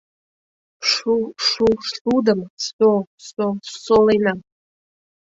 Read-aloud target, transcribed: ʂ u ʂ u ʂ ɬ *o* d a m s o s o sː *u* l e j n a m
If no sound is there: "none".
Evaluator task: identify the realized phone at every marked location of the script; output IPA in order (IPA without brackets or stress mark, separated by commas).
u, o